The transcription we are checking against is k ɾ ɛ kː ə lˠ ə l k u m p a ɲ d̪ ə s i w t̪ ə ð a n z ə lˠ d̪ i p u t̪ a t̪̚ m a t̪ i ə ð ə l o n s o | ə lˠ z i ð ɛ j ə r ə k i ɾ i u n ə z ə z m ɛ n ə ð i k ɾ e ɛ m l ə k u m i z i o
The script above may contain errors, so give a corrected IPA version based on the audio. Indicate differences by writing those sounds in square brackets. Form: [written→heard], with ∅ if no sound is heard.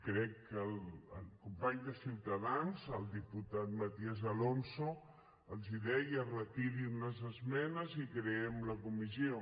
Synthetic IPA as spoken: k ɾ ɛ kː ə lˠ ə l k u m p a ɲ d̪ ə s i w t̪ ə ð a n z ə lˠ d̪ i p u t̪ a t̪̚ m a t̪ i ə [ð→z] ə l o n s o | ə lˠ z i ð ɛ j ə r ə k i ɾ i u n ə z ə z m ɛ n ə [ð→z] i k ɾ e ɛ m l ə k u m i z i o

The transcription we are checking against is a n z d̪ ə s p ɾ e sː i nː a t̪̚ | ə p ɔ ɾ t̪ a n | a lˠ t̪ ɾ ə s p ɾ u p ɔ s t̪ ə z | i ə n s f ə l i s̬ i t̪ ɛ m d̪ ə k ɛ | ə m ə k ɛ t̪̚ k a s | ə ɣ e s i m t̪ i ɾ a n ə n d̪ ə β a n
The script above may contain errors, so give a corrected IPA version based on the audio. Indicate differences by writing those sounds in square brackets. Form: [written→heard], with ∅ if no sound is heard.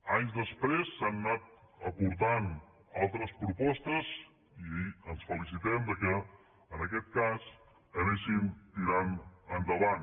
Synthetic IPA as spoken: a [n→ɲ] z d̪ ə s p ɾ e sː [i→a] nː a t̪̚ | ə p [ɔ→u] ɾ t̪ a n | a lˠ t̪ ɾ ə s p ɾ u p ɔ s t̪ ə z | i ə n s f ə l i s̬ i t̪ ɛ m d̪ ə k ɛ | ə [m→n] ə k ɛ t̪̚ k a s | ə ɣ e s i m t̪ i ɾ a n ə n d̪ ə β a n

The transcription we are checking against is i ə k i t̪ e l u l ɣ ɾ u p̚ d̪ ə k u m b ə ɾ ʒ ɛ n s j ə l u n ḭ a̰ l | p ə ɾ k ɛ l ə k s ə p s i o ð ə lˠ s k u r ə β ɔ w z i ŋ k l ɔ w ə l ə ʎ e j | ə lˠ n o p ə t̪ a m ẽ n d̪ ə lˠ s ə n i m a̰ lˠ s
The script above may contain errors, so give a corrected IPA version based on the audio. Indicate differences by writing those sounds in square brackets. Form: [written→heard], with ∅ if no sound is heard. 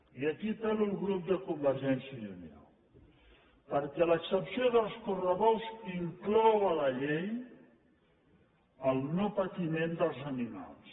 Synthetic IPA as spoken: i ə k i t̪ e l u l ɣ ɾ u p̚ d̪ ə k u m b ə ɾ ʒ ɛ n s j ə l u n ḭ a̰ l | p ə ɾ k ɛ l ə k s ə p s i o ð ə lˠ s k u r ə β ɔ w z i ŋ k l ɔ w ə l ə ʎ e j | ə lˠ n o p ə t̪ [a→i] m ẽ n d̪ ə lˠ [s→z] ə n i m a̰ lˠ s

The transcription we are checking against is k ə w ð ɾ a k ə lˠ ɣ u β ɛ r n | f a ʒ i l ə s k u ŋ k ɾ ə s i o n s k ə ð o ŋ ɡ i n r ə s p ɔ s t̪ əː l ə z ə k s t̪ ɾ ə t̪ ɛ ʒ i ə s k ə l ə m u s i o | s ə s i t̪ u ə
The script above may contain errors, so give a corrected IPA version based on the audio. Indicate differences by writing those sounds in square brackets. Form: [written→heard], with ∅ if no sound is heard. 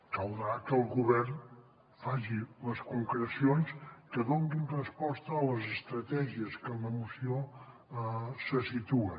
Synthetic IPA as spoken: k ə w ð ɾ a k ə lˠ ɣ u β ɛ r n | f a ʒ i l ə s k u ŋ k ɾ ə s i o n s k ə ð o ŋ ɡ i n r ə s p ɔ s t̪ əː l ə z ə [k→∅] s t̪ ɾ ə t̪ ɛ ʒ i ə s k ə l ə m u s i o | s ə s i t̪ u ə

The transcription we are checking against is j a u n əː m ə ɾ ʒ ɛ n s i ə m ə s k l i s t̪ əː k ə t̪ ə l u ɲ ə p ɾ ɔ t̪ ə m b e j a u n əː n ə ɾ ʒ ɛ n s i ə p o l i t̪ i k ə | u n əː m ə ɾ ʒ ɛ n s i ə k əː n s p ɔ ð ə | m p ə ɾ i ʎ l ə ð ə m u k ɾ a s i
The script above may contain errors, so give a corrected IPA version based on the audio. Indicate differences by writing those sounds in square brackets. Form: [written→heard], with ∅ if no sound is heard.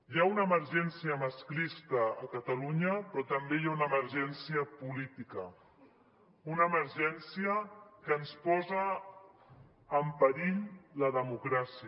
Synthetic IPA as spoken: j a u n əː m ə ɾ ʒ ɛ n s i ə m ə s k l i s t̪ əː k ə t̪ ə l u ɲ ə p ɾ ɔ t̪ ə m b e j a u n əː [n→m] ə ɾ ʒ ɛ n s i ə p [o→u] l i t̪ i k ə | u n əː m ə ɾ ʒ ɛ n s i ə k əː n s p ɔ [ð→z] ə | m p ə ɾ i ʎ l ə ð ə m u k ɾ a s i

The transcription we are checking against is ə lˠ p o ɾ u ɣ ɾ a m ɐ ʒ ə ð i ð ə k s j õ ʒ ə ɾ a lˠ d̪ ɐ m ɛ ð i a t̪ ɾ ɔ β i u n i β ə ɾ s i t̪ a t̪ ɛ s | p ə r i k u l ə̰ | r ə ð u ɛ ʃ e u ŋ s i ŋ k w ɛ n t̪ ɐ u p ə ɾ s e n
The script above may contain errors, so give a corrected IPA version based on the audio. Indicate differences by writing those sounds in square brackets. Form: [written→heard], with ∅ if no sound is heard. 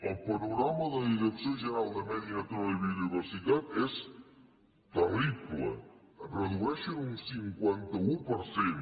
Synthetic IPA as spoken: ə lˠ p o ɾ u ɣ ɾ a m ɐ [ʒ→ð] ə ð i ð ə k s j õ ʒ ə ɾ a lˠ d̪ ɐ m ɛ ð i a t̪ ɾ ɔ β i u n i β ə ɾ s i t̪ a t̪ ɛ s | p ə r i k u l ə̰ | r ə ð u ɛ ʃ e u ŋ s i ŋ k w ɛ n t̪ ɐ u p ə ɾ s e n

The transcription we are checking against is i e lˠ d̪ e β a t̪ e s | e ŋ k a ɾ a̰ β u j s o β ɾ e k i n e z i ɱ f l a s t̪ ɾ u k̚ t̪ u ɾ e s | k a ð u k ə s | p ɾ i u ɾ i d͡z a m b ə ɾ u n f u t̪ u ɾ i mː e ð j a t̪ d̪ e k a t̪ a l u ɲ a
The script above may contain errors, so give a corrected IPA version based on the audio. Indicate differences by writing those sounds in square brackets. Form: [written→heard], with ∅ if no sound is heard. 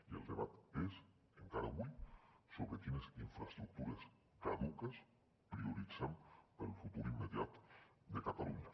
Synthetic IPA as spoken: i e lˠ d̪ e β a t̪ e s | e ŋ k a ɾ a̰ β u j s o β ɾ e k i n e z i ɱ f [l→ɾ] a s t̪ ɾ u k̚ t̪ u ɾ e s | k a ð u k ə s | p ɾ i u ɾ i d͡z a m [b→p] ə ɾ u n f u t̪ u ɾ i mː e ð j a t̪ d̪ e k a t̪ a l u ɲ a

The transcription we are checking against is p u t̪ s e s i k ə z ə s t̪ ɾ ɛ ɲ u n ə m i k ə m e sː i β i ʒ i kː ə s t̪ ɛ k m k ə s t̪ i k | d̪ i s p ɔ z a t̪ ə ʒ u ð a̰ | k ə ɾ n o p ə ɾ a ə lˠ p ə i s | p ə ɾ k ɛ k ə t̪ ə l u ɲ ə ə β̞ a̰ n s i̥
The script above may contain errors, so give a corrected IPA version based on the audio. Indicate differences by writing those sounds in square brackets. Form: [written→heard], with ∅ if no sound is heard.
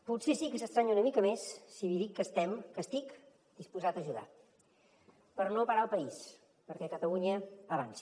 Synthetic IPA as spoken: p u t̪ s e s i k ə [z→s] ə s t̪ ɾ [ɛ→a] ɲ u n ə m i k ə m e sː i β i [ʒ→ð] i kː ə s t̪ ɛ [k→∅] m k ə s t̪ i k | d̪ i s p [ɔ→u] z a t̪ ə ʒ u ð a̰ | [k→p] ə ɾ n o p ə ɾ a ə lˠ p ə i s | p ə ɾ k ɛ k ə t̪ ə l u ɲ ə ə β̞ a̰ n s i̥

